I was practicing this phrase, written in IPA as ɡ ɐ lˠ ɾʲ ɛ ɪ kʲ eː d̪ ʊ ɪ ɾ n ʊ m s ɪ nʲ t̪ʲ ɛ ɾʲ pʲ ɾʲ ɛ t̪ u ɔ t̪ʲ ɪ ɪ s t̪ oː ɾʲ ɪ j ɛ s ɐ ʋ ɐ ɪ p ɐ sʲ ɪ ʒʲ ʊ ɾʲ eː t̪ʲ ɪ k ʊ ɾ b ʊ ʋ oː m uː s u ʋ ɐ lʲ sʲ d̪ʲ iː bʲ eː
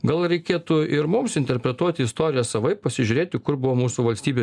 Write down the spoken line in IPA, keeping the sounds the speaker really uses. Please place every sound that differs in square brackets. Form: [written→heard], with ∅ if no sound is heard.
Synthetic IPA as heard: ɡ ɐ lˠ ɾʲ ɛ ɪ kʲ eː [d̪→t̪] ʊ ɪ ɾ [n→m] ʊ m s ɪ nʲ t̪ʲ ɛ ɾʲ pʲ ɾʲ ɛ t̪ u ɔ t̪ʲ ɪ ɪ s t̪ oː ɾʲ ɪ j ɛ s ɐ ʋ ɐ ɪ p ɐ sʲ ɪ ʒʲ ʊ ɾʲ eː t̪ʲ ɪ k ʊ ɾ b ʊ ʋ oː m uː s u ʋ ɐ lʲ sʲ [d̪ʲ→t̪ʲ] iː bʲ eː